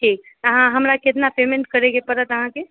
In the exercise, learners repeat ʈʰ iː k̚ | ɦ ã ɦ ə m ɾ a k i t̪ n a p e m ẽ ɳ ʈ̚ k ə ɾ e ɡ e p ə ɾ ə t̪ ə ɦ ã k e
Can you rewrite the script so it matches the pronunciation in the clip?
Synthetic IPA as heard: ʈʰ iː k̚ | ɦ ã ɦ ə m ɾ a k e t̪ n a p e m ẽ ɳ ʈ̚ k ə ɾ e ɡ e p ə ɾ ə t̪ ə ɦ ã k e